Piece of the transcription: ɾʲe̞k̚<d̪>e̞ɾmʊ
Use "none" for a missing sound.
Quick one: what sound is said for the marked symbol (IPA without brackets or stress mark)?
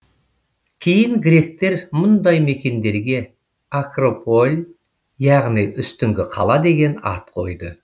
t̪